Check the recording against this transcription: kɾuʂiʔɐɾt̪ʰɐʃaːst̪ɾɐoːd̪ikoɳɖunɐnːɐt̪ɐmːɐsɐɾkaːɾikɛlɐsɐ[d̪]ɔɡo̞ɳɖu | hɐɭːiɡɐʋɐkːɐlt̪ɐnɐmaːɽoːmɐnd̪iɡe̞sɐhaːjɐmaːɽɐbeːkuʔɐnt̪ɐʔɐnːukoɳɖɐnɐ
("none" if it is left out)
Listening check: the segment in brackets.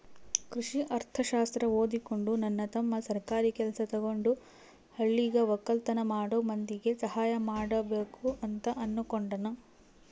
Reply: t̪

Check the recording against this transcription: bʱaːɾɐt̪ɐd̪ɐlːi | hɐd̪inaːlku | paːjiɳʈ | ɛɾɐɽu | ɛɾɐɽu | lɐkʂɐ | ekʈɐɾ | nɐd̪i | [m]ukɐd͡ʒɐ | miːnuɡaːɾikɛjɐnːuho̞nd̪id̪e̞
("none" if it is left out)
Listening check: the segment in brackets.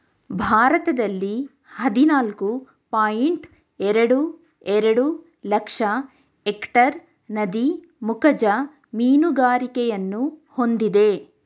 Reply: m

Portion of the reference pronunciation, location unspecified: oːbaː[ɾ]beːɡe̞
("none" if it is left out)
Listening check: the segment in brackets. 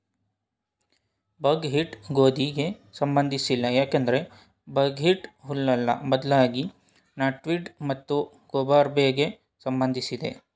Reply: ɾ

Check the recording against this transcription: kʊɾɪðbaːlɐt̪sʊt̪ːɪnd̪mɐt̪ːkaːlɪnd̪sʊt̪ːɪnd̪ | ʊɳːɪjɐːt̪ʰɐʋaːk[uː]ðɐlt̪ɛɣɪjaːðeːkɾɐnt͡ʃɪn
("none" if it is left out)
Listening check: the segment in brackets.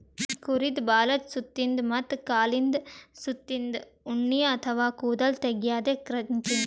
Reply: uː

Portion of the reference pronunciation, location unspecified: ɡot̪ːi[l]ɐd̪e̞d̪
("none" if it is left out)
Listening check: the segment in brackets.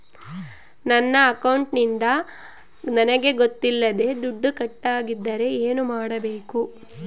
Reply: lː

